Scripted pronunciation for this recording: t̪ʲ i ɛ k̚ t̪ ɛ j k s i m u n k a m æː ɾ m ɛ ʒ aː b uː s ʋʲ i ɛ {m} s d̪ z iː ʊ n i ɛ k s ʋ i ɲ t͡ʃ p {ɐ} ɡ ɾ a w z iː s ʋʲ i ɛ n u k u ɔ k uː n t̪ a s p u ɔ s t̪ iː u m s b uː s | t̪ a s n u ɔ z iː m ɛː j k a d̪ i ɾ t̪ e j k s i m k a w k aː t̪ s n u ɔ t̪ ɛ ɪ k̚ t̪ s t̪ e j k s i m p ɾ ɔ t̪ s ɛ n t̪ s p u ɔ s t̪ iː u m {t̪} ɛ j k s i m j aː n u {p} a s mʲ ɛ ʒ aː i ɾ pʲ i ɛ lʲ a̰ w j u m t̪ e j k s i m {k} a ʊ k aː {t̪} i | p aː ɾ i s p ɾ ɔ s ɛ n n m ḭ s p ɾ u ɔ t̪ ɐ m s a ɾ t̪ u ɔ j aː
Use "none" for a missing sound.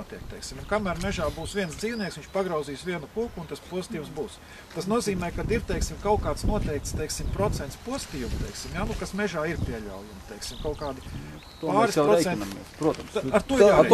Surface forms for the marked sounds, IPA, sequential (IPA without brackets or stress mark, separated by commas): n, a, t̪, k, k, d̪